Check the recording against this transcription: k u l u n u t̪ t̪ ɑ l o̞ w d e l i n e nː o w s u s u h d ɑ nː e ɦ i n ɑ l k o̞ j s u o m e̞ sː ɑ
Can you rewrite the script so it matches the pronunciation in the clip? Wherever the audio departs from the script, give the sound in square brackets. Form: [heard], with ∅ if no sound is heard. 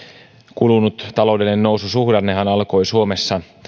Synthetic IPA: k u l u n u t̪ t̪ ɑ l o̞ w d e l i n e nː o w s u s u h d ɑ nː e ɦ [æ] n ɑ l k o̞ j s u o m e̞ sː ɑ